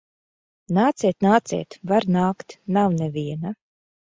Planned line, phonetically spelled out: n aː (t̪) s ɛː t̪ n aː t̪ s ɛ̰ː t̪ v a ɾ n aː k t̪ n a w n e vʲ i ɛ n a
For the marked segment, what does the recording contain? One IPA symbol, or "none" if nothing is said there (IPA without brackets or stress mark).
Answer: t̪